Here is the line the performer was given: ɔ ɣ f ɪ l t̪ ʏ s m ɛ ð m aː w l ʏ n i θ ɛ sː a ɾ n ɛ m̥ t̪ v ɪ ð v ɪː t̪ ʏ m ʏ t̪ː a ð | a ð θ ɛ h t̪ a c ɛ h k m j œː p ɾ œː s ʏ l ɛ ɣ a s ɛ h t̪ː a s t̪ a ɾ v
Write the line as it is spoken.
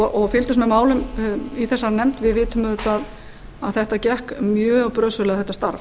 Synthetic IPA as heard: ɔ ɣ f ɪ l t̪ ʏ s m ɛ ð m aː w l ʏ m i θ ɛ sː a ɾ n ɛ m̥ t̪ v ɪ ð v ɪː t̪ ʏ m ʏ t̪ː a ð | a ð θ ɛ h t̪ a c ɛ h k m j œː p ɾ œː s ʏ l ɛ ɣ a θ ɛ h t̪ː a s t̪ a ɾ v